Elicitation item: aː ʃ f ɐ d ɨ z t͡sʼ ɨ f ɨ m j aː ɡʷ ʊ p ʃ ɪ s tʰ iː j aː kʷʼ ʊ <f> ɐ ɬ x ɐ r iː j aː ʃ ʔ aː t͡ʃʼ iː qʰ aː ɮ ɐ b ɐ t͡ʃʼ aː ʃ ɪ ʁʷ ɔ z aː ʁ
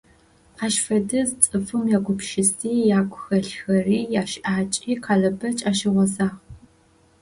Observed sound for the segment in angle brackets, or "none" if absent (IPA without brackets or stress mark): x